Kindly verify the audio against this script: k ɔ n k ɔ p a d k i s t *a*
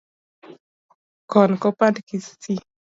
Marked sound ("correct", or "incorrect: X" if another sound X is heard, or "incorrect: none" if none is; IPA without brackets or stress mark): incorrect: i